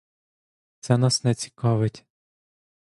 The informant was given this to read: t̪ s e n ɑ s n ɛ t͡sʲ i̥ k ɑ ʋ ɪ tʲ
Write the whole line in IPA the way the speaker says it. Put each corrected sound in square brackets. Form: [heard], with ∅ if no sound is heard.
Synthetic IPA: t̪ s [ɛ] n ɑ s n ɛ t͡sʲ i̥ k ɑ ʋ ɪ tʲ